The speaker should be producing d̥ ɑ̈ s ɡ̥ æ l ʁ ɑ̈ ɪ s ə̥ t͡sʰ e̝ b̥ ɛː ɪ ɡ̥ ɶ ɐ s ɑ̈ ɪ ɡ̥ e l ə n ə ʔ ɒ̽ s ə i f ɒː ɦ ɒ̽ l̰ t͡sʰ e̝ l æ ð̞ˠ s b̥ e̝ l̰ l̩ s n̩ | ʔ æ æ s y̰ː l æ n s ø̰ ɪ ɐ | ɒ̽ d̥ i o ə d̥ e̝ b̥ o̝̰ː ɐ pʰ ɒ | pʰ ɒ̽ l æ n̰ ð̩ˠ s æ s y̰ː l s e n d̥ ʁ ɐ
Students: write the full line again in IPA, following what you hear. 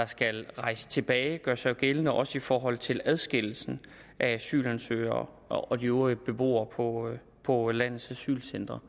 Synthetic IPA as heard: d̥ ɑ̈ s ɡ̥ æ l ʁ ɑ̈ ɪ s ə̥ t͡sʰ e̝ b̥ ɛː ɪ ɡ̥ ɶ ɐ s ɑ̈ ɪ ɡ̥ e l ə n ə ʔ ɒ̽ s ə i f ɒː ɦ ɒ̽ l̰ t͡sʰ e̝ l æ ð̞ˠ s ɡ̥ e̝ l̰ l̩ s n̩ | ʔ æ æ s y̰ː l æ n s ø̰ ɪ ɐ | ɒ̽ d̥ i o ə b̥ e̝ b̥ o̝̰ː ɐ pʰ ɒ | pʰ ɒ̽ l æ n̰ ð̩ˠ s æ s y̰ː l s e n d̥ ʁ ɐ